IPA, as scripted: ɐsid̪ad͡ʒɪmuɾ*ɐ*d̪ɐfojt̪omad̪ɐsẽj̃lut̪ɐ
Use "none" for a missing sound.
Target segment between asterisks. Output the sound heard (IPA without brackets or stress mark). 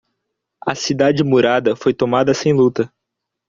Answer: a